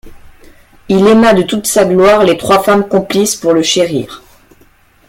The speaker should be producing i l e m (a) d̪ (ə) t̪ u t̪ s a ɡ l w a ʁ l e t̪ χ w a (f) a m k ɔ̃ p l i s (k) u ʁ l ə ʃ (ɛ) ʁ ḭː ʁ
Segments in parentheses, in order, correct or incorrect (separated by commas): correct, correct, correct, incorrect, incorrect